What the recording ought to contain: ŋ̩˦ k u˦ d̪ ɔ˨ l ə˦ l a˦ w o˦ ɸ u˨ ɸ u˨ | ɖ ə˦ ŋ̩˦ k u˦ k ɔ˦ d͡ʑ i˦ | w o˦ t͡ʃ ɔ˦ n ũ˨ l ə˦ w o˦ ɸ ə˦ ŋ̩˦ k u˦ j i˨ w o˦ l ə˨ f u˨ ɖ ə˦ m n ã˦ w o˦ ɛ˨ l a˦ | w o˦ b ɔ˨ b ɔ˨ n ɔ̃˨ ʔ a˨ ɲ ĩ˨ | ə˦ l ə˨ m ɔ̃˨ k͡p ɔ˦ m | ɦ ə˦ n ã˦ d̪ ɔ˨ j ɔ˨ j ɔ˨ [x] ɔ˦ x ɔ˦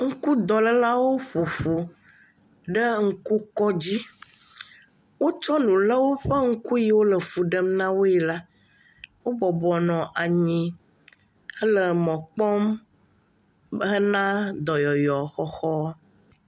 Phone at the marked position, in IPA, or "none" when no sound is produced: x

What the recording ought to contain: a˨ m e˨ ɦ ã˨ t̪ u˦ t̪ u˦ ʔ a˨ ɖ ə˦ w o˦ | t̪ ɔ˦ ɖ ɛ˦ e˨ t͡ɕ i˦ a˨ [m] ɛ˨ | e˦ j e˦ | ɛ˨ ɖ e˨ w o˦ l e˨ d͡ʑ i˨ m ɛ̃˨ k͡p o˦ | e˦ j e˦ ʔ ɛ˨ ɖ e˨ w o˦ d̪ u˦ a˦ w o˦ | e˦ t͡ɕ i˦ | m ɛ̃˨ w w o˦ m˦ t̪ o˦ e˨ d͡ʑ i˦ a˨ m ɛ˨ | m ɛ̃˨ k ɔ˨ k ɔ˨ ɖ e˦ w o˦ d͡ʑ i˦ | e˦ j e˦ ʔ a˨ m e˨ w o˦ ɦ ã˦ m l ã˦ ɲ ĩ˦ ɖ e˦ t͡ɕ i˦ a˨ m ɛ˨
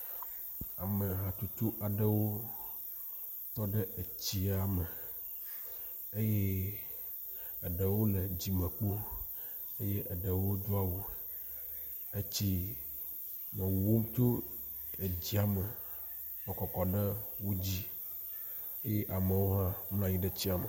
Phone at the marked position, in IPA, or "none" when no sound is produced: m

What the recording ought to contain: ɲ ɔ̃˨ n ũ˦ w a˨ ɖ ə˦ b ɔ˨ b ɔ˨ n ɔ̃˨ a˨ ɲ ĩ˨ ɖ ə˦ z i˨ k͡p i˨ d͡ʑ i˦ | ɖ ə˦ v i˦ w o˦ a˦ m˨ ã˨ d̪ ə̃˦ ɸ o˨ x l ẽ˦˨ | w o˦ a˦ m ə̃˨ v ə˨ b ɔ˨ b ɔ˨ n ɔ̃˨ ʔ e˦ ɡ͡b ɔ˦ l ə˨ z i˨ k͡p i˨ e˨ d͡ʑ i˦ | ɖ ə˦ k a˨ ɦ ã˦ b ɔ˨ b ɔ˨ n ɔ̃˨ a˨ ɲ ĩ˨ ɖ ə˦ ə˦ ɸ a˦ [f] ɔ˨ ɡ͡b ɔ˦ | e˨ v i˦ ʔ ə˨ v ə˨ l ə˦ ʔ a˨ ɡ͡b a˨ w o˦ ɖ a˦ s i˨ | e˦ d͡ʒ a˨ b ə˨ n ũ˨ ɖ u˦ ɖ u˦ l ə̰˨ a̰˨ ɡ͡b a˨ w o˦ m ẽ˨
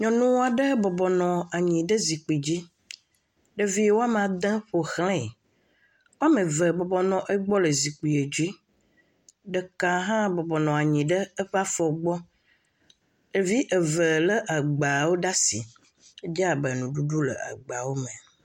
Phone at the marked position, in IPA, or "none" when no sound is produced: f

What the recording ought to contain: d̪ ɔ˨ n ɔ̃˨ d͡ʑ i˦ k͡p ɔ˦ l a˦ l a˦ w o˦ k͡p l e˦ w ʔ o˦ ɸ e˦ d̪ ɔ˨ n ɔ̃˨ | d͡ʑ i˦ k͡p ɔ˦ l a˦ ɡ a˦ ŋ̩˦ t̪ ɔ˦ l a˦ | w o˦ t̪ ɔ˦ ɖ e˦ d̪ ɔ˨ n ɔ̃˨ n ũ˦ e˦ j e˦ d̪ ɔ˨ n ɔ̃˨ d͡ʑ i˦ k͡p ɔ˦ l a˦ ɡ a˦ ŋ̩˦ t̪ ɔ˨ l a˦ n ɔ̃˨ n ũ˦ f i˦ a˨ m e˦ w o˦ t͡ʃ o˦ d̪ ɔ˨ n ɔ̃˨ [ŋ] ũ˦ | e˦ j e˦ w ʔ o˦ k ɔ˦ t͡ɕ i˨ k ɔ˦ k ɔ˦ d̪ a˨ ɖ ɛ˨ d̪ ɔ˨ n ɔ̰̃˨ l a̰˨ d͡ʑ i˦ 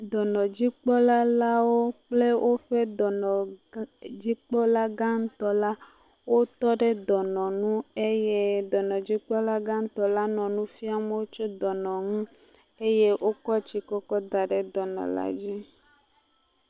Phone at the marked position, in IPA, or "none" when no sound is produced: ŋ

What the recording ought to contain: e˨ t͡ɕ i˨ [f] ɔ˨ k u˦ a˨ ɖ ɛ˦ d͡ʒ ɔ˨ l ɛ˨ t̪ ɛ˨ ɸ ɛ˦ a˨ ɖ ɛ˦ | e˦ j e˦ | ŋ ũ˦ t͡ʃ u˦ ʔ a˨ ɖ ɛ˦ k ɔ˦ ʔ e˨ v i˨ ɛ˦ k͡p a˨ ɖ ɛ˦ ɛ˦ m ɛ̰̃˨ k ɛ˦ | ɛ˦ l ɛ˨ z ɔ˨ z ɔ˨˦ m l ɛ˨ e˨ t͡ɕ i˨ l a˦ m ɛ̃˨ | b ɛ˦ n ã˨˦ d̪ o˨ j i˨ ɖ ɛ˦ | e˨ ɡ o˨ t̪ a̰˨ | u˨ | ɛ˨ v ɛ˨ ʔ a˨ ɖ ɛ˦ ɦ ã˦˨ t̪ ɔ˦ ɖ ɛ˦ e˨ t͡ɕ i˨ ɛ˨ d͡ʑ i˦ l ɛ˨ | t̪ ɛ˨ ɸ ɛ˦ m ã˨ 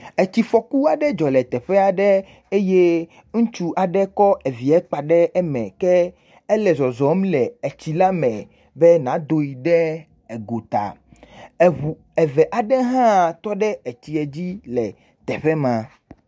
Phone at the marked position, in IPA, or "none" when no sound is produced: f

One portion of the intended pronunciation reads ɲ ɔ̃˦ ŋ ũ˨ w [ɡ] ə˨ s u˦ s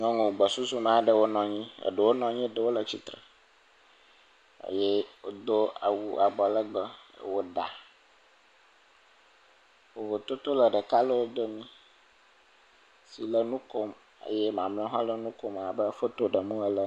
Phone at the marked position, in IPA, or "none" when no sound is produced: ɡ͡b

